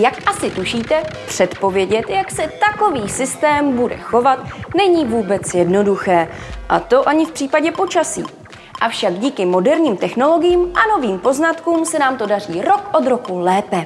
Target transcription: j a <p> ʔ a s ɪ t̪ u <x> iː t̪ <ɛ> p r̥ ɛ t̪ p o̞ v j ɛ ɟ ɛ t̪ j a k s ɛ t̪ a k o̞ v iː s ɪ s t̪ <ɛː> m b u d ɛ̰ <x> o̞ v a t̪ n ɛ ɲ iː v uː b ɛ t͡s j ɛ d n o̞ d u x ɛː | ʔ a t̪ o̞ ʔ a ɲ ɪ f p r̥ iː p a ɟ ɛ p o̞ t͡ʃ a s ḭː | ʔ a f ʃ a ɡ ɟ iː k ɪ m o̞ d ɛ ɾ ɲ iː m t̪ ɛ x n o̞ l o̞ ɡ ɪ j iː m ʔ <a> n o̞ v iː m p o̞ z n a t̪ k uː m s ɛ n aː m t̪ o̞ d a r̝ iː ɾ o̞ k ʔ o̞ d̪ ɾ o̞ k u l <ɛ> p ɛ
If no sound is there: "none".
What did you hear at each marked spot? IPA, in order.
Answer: k, ʃ, ɛ, ɛː, x, a, ɛː

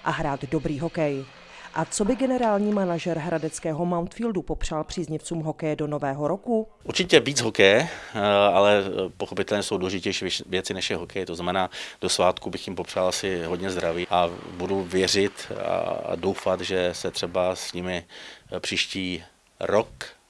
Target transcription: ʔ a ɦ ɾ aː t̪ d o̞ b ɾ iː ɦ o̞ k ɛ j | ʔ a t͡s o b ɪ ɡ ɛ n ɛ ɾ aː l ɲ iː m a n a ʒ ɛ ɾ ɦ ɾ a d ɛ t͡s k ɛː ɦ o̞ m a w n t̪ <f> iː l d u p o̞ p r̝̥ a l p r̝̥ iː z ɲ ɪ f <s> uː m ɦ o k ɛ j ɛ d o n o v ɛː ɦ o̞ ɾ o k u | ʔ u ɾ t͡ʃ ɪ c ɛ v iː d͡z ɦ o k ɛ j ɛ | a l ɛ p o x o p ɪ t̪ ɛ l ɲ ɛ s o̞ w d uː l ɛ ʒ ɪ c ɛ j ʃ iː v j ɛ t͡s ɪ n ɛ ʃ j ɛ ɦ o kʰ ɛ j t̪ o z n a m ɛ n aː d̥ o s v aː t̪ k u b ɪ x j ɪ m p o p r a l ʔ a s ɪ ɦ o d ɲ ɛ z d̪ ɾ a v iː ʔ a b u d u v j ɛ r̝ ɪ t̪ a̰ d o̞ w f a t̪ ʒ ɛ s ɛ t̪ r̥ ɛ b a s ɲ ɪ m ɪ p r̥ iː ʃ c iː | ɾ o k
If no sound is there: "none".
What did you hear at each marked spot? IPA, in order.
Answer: f, t͡s

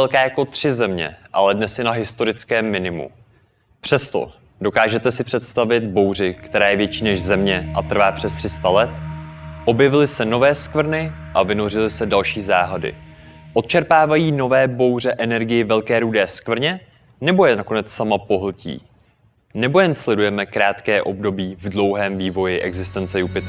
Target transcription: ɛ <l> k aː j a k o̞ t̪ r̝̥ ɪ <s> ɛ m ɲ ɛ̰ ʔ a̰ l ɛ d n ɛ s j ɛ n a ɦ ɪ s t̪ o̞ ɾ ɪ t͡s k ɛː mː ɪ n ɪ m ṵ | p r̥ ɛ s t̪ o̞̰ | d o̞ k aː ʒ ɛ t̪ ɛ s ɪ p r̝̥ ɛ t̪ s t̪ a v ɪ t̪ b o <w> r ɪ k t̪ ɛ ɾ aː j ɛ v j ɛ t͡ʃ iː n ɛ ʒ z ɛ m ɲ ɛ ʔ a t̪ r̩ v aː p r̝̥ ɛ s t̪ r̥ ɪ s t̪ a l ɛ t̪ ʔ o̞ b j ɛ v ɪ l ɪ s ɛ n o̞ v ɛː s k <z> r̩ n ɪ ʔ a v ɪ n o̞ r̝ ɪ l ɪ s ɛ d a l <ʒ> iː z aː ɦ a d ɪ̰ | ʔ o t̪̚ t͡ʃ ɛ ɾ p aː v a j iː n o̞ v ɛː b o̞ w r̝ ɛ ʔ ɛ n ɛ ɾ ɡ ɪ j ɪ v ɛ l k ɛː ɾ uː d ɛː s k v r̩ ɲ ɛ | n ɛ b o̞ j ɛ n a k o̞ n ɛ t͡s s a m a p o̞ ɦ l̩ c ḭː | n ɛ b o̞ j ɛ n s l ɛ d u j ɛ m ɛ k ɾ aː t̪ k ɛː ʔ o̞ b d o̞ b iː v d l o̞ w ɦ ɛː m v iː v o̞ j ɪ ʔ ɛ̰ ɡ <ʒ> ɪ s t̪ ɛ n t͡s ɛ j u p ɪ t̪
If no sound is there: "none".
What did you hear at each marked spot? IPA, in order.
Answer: l, z, w, v, ʃ, z

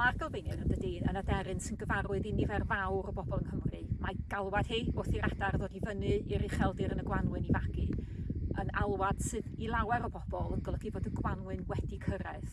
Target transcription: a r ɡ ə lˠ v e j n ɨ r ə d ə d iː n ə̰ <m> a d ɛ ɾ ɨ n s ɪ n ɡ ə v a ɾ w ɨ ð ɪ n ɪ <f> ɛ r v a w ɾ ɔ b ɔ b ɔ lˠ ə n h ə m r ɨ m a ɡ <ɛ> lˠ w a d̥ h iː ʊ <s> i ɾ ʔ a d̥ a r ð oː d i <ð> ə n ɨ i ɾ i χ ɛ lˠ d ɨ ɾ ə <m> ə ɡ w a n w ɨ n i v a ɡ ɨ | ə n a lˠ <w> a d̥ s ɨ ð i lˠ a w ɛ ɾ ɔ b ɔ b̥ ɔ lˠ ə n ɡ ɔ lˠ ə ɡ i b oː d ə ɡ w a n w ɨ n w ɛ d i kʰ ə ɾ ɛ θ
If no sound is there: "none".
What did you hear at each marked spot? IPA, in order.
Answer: n, v, a, θ, v, n, w

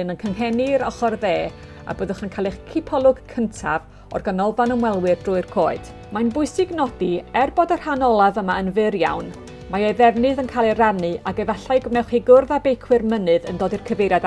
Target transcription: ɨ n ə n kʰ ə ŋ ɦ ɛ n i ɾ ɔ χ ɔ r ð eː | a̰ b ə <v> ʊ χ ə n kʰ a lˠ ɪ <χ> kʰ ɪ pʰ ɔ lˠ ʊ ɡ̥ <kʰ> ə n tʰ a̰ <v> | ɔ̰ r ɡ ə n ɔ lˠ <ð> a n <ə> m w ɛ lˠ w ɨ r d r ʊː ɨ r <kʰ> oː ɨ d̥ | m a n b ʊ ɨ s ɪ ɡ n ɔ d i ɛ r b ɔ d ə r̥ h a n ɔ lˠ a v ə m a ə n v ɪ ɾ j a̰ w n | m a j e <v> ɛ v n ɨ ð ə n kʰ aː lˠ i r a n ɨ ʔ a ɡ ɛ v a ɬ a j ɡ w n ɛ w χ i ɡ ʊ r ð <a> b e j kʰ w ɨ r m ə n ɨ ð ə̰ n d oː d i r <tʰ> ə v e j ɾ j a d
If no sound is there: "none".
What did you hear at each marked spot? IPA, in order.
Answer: ð, χ, kʰ, v, v, ə, kʰ, ð, a, kʰ

